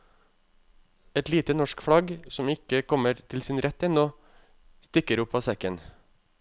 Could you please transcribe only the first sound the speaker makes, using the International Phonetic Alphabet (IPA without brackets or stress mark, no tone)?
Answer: ɛ